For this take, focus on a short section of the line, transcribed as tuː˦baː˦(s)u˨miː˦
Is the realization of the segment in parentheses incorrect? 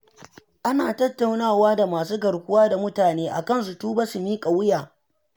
no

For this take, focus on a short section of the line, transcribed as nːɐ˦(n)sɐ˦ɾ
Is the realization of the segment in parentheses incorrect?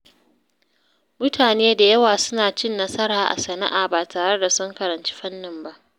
yes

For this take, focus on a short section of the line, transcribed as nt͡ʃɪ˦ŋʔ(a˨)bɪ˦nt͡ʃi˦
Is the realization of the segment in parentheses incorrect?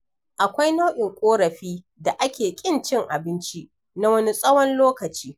no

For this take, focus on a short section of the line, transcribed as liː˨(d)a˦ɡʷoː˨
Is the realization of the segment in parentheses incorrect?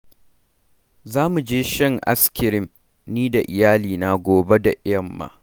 yes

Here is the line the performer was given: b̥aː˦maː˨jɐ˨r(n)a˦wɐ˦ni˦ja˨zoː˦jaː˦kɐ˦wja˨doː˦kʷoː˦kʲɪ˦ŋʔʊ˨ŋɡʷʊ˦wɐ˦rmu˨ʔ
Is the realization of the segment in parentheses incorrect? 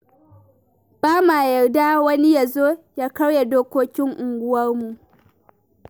yes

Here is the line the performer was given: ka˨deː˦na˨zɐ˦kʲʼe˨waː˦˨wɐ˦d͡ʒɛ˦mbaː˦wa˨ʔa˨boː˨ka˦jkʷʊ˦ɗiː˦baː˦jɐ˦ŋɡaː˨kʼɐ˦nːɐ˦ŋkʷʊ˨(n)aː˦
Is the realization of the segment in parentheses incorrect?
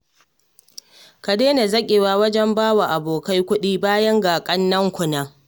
no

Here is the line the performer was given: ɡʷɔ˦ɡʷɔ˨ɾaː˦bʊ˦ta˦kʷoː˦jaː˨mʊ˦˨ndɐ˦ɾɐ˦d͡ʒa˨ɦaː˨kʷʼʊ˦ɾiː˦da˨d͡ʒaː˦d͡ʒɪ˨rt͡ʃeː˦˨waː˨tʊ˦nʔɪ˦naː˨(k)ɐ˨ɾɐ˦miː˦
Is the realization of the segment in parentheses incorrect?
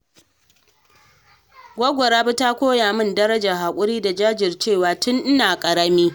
yes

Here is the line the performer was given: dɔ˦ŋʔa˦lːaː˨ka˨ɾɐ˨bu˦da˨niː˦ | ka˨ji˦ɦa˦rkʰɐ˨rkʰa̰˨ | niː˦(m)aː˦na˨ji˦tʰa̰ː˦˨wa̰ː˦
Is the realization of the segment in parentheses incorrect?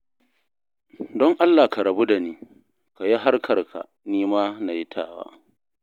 no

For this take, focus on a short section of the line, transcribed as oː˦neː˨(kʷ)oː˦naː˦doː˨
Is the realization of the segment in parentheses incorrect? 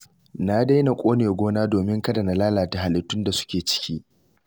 yes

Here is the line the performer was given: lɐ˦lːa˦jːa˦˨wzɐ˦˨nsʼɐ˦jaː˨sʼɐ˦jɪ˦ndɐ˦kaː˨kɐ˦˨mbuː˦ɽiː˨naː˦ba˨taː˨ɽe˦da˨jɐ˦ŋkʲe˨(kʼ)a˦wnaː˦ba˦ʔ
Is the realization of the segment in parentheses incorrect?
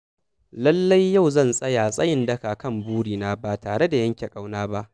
no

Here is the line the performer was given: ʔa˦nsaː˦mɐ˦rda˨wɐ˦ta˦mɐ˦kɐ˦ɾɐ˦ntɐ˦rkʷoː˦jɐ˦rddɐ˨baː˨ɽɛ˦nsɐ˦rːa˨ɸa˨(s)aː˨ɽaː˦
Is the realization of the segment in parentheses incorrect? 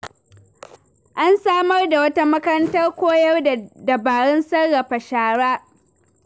yes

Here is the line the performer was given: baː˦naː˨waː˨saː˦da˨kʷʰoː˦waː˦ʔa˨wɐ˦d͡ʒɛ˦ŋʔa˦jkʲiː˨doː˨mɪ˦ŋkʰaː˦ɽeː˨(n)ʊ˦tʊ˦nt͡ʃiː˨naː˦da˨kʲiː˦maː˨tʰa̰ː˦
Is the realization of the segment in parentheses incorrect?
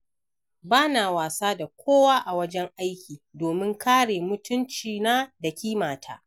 yes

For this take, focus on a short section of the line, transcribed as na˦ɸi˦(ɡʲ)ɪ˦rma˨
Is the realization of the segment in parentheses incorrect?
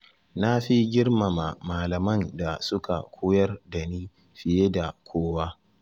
no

